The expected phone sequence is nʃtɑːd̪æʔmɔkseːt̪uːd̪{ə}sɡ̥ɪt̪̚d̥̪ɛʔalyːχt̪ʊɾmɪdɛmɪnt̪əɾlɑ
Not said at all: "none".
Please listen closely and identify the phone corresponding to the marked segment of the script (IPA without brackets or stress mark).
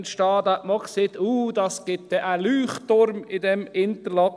ɑ